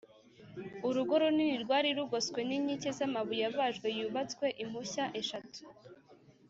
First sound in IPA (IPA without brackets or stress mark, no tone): u